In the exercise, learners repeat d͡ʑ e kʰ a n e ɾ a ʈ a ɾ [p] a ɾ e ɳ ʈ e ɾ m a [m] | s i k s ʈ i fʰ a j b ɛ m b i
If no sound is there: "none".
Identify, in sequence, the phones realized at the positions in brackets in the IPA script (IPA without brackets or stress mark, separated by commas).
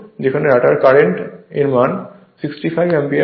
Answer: k, n